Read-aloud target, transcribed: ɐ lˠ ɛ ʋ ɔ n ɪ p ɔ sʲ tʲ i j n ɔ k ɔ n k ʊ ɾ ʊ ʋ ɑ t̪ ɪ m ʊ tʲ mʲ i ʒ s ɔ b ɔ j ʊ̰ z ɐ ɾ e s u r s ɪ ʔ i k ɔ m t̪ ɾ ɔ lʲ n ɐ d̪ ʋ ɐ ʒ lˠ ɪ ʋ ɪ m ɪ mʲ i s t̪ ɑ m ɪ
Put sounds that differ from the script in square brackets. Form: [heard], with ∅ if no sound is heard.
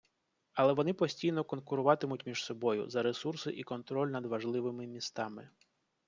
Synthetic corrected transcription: ɐ lˠ ɛ ʋ ɔ n ɪ p ɔ sʲ tʲ i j n ɔ k ɔ n k ʊ ɾ ʊ ʋ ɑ t̪ ɪ m ʊ tʲ mʲ i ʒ s ɔ b ɔ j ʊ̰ z ɐ ɾ e s u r s ɪ ʔ i k ɔ [n] t̪ ɾ ɔ lʲ n ɐ d̪ ʋ ɐ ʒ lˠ ɪ ʋ ɪ m ɪ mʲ i s t̪ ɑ m ɪ